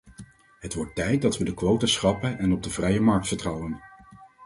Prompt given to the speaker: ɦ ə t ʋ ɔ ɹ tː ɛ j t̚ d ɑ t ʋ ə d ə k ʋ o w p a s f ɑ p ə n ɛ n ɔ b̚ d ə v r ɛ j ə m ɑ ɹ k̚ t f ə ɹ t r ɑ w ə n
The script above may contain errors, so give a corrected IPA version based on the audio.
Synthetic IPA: ɦ ə t ʋ ɔ ɹ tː ɛ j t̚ d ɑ t ʋ ə d ə k ʋ o w t a s χ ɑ p ə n ɛ n ɔ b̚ d ə v r ɛ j ə m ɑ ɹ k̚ t f ə ɹ t r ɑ w ə n